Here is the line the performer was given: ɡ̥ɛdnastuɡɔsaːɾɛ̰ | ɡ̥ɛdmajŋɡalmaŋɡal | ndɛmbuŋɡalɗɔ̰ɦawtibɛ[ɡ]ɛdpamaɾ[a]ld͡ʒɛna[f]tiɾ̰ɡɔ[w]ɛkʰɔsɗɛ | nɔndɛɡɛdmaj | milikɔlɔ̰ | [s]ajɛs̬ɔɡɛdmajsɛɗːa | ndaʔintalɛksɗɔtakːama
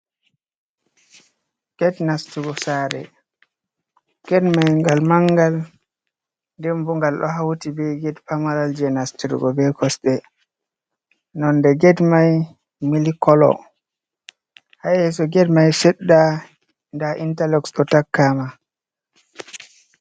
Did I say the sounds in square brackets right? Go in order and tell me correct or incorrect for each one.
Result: correct, correct, incorrect, incorrect, incorrect

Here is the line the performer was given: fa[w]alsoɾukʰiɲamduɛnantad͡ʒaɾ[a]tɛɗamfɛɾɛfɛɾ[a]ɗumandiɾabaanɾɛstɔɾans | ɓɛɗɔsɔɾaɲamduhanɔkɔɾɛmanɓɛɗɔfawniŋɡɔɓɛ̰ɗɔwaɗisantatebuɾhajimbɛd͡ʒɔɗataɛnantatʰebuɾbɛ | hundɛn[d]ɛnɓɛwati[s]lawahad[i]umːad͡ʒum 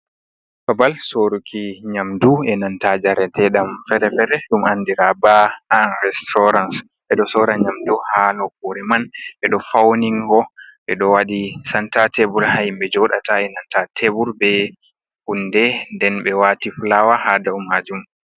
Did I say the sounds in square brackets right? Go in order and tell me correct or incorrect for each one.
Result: incorrect, incorrect, incorrect, correct, incorrect, incorrect

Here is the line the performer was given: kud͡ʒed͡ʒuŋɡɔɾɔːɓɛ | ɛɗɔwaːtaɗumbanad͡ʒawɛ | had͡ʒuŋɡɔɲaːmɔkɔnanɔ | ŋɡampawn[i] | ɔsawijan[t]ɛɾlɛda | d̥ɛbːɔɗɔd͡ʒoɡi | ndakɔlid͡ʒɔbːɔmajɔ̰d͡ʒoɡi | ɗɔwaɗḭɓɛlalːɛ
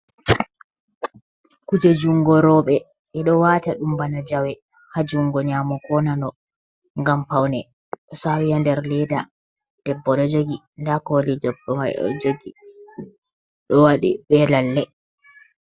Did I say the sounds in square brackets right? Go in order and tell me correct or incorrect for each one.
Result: incorrect, incorrect

